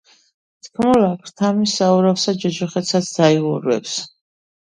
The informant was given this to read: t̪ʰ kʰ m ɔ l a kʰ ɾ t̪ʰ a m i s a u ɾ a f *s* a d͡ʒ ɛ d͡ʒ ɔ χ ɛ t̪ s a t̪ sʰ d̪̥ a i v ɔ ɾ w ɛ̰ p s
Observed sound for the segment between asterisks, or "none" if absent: s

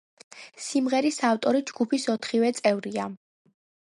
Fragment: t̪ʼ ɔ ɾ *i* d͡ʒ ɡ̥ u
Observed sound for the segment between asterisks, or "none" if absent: i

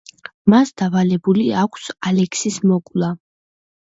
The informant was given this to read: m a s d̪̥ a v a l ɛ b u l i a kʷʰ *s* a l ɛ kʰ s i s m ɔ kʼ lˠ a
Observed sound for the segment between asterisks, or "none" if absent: s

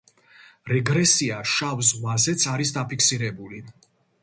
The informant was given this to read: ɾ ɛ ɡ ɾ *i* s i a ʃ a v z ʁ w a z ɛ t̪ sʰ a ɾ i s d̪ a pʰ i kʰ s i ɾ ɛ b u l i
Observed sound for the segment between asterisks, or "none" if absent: ɛ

